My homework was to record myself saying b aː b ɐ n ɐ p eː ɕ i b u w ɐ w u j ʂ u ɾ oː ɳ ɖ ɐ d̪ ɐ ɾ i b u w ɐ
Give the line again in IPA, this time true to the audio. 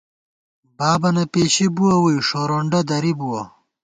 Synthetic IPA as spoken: b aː b ɐ n ɐ p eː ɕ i b u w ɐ w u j ʂ o ɾ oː ɳ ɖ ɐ d̪ ɐ ɾ i b u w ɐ